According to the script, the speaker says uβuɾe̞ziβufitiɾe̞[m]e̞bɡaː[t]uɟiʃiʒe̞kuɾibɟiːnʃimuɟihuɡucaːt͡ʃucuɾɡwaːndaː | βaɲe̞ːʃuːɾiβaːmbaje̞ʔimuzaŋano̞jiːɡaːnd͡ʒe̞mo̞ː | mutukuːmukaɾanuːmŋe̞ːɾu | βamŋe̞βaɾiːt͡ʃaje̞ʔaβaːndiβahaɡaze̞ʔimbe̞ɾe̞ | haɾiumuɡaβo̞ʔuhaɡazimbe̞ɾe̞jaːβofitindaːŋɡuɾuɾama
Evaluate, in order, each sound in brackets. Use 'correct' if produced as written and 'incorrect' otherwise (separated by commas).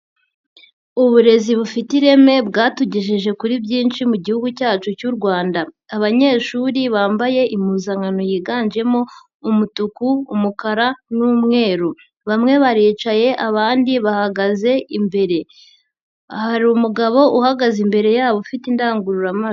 correct, correct